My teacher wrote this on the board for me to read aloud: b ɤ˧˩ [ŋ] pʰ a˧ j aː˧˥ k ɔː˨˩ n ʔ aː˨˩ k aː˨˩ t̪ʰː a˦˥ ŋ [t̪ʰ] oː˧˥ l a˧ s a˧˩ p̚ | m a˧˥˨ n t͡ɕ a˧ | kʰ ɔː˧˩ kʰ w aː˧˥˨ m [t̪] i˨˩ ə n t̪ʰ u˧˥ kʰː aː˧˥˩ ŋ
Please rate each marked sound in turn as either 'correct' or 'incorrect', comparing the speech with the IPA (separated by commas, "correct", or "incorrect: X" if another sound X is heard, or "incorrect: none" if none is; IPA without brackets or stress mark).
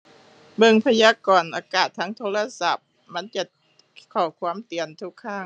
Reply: correct, correct, correct